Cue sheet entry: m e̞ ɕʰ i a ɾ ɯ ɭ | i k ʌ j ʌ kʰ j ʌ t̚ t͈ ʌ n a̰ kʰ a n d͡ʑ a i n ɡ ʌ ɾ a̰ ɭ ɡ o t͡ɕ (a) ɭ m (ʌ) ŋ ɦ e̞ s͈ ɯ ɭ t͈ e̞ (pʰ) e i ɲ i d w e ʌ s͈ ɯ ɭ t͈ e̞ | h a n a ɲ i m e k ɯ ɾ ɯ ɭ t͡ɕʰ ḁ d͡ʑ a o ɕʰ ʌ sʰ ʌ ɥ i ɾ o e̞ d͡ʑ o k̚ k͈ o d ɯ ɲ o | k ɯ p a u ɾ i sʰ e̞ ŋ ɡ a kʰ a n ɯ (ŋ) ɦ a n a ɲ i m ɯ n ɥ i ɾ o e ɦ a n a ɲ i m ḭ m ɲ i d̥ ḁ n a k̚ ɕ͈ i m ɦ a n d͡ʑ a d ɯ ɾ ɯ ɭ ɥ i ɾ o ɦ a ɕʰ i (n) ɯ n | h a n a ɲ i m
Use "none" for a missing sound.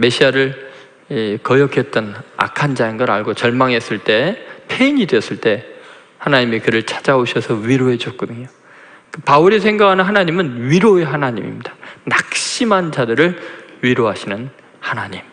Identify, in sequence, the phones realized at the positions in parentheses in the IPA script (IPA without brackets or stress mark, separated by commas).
ʌ, a, pʰ, n, n